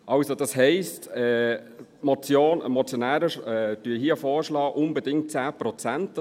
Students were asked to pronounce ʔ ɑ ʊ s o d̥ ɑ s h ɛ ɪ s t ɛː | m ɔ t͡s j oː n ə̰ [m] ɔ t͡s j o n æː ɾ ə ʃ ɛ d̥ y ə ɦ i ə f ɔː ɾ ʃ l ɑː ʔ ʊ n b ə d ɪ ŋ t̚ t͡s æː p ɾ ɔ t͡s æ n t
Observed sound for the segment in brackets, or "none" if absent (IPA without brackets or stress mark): m